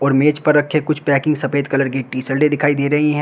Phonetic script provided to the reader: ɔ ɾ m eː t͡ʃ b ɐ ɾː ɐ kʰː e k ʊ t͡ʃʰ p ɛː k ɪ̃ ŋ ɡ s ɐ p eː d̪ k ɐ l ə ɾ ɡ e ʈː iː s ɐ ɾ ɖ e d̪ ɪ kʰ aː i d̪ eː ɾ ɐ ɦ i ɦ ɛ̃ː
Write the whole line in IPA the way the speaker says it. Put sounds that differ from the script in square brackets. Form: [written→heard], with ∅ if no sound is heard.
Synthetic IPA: [ɔ→ɔː] ɾ m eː t͡ʃ [b→p] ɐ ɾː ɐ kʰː e k ʊ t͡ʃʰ p ɛː k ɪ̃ ŋ ɡ s ɐ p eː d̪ k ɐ l ə ɾ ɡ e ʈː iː s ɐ [ɾ→l] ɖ e d̪ ɪ kʰ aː i d̪ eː ɾ ɐ ɦ i ɦ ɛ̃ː